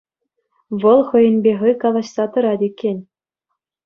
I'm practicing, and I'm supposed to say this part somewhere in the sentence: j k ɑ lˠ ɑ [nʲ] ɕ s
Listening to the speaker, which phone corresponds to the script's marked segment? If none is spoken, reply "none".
none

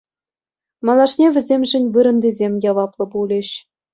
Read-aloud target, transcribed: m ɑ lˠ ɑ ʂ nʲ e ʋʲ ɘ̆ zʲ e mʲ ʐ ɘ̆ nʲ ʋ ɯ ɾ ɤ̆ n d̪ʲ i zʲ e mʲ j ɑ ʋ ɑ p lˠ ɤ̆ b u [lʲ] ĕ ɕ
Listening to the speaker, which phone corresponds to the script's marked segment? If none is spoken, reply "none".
lʲ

